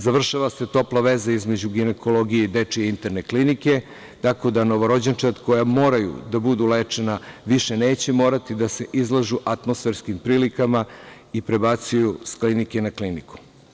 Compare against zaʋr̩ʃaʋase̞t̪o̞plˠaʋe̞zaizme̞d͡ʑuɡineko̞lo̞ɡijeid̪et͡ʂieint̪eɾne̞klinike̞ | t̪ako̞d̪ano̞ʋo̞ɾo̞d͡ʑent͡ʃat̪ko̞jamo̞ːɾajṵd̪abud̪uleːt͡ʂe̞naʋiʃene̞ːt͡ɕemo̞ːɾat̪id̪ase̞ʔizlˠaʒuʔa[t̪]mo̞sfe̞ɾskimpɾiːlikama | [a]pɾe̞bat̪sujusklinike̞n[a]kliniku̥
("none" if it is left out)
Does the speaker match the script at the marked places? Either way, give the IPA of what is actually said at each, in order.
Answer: t̪, i, a

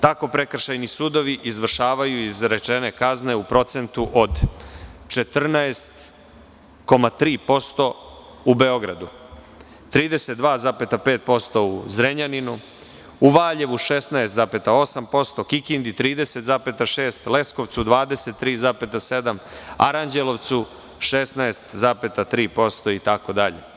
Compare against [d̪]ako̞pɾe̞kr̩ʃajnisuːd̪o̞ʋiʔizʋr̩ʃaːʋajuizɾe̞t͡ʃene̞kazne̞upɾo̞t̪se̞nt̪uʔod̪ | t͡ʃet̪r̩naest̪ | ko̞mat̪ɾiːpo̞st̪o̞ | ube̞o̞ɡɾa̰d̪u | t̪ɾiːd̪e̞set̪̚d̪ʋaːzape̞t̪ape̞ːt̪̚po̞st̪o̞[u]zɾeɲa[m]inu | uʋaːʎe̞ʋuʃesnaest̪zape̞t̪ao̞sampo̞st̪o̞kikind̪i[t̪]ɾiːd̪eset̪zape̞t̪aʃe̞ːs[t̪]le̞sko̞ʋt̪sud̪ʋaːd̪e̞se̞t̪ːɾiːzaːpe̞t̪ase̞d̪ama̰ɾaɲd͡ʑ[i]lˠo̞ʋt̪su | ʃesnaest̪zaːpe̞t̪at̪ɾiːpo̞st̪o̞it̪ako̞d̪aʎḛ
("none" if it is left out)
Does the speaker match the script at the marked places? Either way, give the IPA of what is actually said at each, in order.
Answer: t̪, u, n, t̪, t̪, e

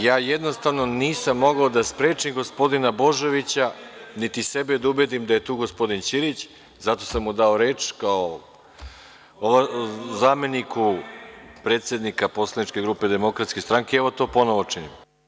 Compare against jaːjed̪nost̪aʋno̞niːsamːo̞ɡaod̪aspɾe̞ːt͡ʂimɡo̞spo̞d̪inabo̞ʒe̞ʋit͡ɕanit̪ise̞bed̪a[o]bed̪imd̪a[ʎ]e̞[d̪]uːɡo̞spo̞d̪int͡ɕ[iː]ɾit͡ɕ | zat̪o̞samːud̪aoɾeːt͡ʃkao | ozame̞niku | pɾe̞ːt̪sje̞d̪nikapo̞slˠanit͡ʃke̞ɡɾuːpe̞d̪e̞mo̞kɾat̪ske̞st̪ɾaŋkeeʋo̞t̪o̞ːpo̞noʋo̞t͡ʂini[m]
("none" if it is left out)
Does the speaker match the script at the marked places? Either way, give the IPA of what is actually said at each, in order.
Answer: u, j, t̪, i, m

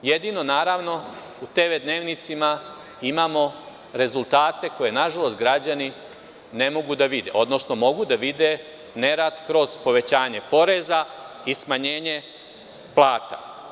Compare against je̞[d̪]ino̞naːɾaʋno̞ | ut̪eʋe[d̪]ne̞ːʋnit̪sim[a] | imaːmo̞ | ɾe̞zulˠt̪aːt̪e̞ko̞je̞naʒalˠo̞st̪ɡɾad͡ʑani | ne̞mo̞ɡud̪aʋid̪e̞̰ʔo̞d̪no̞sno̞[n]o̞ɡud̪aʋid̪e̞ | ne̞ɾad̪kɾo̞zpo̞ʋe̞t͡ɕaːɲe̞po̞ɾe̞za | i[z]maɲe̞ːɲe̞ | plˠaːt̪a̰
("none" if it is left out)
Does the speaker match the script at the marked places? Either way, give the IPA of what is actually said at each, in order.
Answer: d̪, d̪, a, m, s

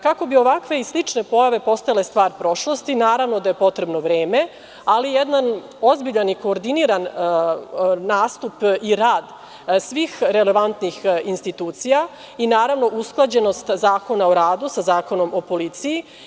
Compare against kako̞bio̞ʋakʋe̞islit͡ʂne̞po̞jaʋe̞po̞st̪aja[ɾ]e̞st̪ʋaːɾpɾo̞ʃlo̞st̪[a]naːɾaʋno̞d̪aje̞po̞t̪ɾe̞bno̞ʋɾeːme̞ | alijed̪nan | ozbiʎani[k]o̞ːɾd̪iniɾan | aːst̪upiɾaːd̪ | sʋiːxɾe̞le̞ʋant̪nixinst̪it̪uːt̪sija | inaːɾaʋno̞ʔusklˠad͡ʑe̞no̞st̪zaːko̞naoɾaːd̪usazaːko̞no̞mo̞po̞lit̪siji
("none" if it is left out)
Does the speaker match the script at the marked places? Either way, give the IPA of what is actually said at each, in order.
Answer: l, i, k

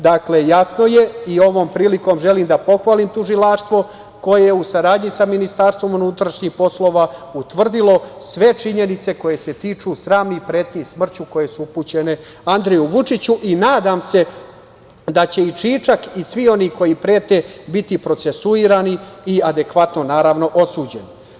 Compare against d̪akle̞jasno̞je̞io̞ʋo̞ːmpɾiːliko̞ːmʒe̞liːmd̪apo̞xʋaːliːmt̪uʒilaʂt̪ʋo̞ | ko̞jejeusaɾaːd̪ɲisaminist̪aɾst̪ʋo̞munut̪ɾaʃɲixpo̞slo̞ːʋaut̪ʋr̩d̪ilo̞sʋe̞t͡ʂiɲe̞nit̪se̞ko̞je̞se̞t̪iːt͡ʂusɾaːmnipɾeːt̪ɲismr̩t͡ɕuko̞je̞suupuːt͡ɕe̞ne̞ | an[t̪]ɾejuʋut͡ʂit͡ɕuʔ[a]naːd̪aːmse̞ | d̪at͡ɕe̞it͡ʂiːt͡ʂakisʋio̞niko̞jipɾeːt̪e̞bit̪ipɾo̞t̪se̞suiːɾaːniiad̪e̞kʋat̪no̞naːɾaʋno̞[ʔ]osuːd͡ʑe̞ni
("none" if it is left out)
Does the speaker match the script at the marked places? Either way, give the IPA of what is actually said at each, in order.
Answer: d̪, i, ʔ

